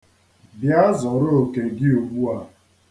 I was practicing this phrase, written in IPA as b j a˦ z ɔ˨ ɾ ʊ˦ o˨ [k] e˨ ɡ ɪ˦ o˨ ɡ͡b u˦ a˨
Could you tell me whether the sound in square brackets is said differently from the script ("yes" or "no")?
no